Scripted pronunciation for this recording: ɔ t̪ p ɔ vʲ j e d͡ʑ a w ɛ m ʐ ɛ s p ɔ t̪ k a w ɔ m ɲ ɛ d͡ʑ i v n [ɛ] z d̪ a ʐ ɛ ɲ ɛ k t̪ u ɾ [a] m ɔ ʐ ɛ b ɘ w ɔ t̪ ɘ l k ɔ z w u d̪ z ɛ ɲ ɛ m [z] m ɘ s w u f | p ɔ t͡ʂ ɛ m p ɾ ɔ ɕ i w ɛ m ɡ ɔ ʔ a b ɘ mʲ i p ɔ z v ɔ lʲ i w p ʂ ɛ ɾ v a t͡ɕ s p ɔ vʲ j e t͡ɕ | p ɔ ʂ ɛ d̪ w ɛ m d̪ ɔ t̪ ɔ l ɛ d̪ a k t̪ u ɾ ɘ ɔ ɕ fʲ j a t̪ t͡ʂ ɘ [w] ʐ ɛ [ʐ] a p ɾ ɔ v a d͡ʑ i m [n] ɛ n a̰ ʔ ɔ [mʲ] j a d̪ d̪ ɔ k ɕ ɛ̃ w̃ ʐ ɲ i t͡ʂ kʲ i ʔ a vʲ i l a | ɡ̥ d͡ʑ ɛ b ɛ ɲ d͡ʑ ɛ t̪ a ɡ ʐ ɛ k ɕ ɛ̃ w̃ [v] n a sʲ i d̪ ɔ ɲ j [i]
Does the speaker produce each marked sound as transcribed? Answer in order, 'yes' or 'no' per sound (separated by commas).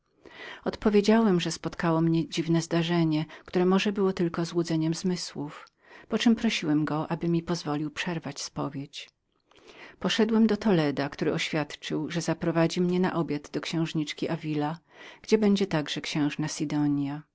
yes, no, yes, yes, no, no, no, no, no